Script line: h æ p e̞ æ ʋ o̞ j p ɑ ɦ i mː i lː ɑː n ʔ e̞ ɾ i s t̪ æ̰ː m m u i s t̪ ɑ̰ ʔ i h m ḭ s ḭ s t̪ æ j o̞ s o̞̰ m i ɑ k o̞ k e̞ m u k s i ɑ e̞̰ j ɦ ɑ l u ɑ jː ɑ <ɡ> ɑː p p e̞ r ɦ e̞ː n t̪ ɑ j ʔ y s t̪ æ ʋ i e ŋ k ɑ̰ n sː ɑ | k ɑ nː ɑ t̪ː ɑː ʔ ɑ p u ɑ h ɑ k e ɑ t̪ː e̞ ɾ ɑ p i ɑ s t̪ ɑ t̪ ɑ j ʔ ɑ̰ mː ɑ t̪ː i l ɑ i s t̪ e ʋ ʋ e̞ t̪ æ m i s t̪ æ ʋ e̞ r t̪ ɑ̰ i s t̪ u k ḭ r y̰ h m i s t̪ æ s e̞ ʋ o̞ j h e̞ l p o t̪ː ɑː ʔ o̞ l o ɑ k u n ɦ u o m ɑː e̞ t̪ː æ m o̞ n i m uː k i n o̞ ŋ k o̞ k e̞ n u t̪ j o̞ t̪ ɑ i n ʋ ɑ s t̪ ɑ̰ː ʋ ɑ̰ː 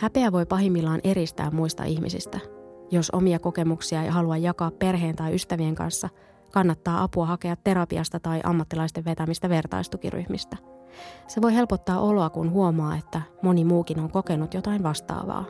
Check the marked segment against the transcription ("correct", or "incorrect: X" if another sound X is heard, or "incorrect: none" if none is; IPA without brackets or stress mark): incorrect: k